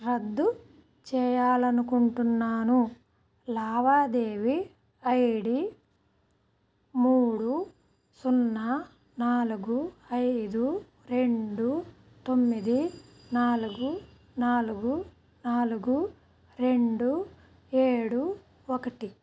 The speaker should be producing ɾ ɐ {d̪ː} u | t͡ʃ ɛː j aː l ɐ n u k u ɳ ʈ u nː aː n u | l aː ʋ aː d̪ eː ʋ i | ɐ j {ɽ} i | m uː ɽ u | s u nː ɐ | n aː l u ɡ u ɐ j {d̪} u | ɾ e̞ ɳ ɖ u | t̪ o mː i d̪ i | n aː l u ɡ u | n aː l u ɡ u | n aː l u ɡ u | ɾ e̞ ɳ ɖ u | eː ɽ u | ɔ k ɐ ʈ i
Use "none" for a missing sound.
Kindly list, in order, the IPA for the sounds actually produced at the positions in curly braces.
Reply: d̪ː, ɽ, d̪

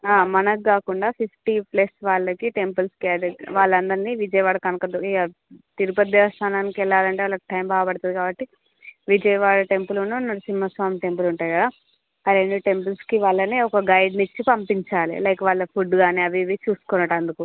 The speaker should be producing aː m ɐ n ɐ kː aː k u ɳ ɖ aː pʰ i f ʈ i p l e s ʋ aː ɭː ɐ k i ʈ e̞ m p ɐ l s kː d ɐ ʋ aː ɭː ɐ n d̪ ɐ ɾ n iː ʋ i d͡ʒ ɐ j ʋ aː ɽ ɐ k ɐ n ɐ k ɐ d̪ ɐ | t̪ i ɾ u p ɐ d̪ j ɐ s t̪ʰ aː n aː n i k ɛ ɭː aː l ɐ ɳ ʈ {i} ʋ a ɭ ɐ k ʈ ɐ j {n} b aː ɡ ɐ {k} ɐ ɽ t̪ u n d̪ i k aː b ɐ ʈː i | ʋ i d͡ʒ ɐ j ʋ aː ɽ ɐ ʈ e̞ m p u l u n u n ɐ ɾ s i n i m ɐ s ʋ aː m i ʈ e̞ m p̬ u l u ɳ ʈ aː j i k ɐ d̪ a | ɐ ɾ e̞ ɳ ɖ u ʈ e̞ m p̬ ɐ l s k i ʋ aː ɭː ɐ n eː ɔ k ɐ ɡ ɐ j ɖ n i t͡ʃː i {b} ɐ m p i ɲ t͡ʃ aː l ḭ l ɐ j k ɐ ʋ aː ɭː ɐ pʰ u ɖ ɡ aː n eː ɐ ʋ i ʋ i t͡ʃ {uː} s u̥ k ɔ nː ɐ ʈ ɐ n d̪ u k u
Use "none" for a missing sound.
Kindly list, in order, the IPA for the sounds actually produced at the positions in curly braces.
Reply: e, m, p, p, uː

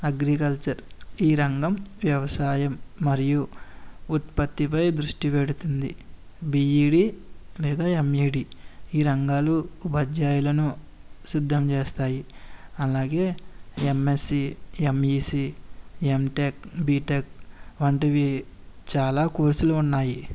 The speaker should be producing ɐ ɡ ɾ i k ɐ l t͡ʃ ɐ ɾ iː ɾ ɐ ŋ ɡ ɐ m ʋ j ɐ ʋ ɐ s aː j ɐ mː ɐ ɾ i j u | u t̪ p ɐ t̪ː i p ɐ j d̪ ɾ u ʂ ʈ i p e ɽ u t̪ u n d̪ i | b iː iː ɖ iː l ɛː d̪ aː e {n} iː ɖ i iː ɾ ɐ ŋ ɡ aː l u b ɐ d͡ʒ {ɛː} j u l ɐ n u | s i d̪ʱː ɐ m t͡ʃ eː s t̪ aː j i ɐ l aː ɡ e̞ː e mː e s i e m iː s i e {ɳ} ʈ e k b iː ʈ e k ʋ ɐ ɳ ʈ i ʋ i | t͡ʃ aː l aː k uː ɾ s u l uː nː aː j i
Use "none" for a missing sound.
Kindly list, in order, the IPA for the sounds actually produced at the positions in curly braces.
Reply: m, aː, m

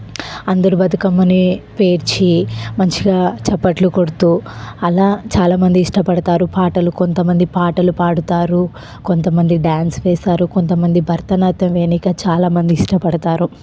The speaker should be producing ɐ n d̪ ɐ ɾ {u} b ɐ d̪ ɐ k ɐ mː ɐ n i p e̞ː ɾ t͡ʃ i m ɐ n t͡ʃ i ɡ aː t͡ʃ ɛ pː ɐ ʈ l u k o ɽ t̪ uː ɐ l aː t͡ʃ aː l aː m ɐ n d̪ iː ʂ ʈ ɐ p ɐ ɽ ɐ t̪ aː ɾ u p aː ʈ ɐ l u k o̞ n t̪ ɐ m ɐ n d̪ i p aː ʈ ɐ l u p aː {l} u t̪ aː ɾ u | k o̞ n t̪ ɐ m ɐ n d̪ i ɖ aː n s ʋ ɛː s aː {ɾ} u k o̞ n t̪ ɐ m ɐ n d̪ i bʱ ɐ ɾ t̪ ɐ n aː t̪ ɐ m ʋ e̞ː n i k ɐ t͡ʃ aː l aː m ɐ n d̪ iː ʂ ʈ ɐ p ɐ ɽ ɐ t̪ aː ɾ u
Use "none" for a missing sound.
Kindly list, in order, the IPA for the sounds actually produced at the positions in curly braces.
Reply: u, ɽ, ɾ

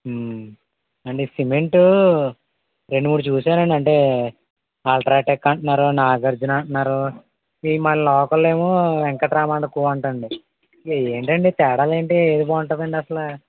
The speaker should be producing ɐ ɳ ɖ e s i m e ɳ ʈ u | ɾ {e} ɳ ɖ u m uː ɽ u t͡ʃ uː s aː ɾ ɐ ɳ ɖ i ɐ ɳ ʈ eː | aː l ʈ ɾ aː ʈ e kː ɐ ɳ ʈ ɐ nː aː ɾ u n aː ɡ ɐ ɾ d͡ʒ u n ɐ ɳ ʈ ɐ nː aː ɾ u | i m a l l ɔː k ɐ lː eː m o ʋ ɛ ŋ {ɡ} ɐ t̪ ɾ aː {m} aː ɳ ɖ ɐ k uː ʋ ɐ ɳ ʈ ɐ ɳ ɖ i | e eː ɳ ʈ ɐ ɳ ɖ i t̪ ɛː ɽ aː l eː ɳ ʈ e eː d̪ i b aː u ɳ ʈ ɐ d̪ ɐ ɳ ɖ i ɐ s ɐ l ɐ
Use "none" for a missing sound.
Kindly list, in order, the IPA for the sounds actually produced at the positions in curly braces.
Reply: e, k, m

